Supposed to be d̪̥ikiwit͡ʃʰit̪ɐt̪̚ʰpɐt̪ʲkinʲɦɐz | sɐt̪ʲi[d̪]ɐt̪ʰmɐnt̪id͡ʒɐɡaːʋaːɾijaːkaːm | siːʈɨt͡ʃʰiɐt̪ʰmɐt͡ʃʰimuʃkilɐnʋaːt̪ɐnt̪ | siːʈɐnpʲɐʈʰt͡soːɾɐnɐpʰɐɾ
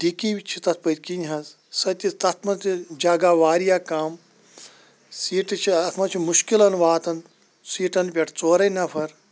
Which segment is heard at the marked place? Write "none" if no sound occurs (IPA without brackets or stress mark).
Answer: t̪